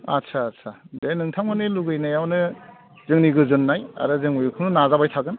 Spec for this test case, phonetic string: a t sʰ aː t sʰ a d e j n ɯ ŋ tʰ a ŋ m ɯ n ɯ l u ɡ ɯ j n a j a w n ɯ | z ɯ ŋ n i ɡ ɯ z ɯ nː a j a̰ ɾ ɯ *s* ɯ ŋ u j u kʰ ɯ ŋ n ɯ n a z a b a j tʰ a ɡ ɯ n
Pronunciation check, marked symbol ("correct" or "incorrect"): incorrect